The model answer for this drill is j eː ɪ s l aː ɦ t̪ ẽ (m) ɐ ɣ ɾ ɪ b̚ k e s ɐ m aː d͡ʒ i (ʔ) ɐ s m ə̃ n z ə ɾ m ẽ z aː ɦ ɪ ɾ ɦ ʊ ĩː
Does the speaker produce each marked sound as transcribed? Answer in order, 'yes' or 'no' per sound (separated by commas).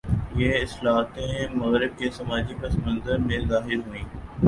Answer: yes, no